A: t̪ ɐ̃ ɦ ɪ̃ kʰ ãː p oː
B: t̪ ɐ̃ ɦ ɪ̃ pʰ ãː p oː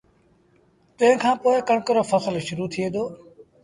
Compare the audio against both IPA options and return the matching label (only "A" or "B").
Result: A